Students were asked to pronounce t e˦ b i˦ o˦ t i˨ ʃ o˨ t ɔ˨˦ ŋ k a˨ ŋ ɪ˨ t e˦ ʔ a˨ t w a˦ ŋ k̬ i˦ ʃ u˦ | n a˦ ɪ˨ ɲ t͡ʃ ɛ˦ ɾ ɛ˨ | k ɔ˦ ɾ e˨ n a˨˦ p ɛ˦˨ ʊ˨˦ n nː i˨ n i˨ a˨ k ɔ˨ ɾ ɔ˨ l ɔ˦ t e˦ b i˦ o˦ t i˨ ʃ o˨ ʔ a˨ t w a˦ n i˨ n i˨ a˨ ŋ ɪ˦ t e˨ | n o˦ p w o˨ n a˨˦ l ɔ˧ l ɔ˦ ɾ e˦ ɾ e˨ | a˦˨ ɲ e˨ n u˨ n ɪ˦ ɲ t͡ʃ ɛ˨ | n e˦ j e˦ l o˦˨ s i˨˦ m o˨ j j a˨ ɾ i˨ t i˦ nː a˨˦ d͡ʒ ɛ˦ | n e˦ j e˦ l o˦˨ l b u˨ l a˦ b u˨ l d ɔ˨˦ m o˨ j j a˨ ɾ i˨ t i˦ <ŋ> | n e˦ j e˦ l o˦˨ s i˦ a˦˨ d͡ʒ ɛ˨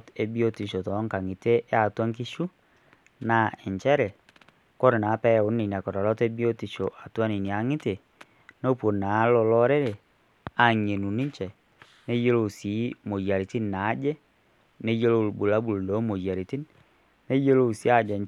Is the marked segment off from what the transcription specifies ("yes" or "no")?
yes